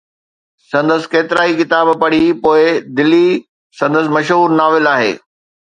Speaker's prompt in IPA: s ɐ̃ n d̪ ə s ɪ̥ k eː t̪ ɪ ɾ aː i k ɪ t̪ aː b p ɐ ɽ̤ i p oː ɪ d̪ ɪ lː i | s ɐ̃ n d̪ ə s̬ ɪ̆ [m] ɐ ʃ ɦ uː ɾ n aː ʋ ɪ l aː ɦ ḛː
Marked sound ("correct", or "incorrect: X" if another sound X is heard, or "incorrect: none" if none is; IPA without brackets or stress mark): correct